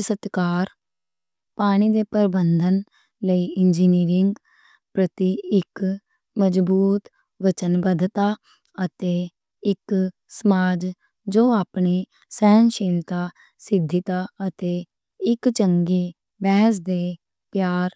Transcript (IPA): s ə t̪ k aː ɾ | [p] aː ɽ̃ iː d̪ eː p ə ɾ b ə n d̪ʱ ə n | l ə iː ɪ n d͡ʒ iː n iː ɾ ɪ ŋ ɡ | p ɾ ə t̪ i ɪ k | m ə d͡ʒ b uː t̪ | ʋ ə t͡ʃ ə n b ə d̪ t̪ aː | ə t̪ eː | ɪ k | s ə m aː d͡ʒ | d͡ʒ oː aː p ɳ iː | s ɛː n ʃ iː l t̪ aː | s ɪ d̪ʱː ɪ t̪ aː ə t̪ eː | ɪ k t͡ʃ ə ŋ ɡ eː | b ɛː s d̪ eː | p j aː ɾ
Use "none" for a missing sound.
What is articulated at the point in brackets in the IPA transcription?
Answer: p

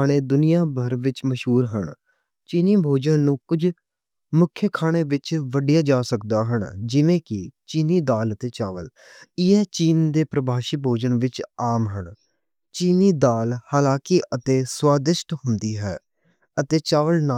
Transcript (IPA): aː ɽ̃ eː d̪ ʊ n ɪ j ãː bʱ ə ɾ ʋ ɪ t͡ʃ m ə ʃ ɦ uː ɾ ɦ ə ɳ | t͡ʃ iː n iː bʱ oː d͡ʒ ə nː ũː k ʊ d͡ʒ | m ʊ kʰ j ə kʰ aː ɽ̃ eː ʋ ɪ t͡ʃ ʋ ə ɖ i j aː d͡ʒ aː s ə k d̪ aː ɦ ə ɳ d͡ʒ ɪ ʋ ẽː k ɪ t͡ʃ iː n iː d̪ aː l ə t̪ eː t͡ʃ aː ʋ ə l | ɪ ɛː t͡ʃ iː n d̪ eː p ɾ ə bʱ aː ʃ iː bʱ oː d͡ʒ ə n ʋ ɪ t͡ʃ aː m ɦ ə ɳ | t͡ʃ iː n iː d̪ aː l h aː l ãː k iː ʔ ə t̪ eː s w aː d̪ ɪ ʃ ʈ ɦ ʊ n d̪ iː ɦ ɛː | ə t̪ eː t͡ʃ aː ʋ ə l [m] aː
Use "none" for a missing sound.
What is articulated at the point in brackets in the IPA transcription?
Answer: n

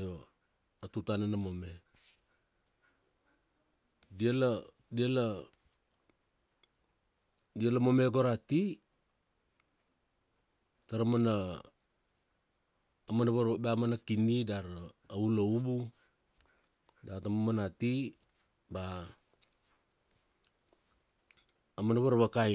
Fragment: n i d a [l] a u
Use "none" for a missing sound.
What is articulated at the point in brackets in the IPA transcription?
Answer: ɾ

